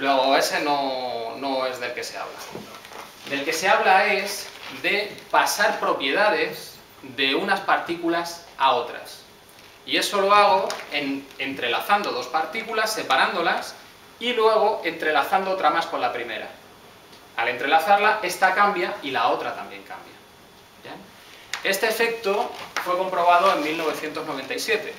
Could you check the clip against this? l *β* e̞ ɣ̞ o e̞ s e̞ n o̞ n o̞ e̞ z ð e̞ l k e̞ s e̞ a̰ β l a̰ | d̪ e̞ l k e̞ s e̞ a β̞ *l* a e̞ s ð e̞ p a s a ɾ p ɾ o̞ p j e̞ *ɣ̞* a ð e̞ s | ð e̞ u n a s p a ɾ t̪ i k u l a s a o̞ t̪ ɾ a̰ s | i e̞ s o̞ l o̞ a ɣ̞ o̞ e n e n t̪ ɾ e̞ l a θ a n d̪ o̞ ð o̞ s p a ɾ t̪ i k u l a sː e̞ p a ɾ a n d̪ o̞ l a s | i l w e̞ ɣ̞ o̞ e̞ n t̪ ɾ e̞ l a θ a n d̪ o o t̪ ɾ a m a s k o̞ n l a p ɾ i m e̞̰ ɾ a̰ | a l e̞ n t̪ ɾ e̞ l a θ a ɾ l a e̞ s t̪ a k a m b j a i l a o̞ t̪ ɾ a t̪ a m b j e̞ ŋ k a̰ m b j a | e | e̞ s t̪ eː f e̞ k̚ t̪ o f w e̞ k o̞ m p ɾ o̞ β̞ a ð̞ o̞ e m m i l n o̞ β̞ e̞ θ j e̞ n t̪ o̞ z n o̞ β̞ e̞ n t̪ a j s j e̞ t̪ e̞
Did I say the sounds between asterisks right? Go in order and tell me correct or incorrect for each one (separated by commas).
incorrect, correct, incorrect